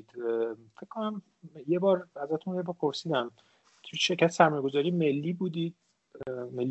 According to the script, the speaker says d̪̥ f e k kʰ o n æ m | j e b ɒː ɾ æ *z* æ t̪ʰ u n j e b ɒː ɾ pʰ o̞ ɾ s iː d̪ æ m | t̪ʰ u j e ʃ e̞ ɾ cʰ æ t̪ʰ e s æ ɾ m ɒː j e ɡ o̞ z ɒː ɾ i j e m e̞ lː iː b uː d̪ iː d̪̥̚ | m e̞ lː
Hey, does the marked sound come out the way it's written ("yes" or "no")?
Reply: yes